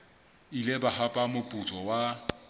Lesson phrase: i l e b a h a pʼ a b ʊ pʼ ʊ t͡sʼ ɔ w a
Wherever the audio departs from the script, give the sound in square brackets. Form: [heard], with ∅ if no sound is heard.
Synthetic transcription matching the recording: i l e b a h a pʼ a [m] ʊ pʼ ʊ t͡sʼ ɔ w a